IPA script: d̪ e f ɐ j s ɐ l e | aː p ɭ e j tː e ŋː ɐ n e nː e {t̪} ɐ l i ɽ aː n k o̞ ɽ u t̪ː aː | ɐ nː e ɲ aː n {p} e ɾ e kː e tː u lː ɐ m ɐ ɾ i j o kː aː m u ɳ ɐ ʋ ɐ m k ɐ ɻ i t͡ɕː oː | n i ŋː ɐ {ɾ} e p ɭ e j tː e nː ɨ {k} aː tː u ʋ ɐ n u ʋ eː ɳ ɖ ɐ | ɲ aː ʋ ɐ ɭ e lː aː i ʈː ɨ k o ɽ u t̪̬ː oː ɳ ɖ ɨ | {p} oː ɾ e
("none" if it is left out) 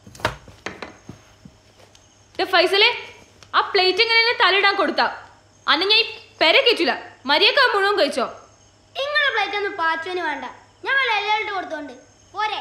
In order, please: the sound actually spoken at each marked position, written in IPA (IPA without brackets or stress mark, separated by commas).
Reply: t̪, p, ɭ, p, p